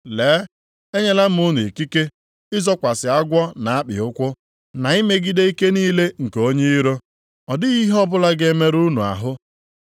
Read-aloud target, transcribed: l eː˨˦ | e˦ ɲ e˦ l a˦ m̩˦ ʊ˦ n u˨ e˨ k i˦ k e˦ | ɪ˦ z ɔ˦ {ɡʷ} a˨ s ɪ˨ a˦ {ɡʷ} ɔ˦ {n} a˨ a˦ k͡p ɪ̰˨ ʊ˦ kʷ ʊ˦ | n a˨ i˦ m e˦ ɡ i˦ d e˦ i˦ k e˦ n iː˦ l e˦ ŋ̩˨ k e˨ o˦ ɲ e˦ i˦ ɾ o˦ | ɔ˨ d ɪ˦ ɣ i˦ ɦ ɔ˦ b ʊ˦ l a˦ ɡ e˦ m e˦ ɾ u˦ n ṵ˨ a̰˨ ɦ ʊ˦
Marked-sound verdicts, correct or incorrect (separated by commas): incorrect, correct, correct